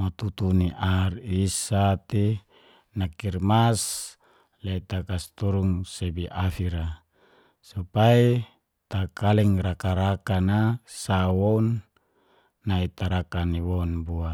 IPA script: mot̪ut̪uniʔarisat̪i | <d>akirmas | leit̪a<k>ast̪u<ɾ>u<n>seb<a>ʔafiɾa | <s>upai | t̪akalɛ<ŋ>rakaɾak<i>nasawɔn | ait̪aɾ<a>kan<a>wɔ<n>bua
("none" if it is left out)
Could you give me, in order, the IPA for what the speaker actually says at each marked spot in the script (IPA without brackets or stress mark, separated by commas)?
n, k, ɾ, ŋ, i, s, ŋ, a, a, i, n